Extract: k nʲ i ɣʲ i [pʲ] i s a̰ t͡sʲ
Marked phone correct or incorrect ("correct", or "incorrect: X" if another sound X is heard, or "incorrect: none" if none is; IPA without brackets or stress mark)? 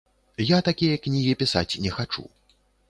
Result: correct